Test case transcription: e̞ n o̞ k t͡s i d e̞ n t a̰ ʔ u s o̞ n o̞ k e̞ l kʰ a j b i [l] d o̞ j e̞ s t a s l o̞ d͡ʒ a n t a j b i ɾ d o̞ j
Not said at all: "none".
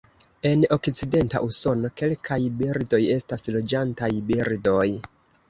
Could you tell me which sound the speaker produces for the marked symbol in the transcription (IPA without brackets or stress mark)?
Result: ɾ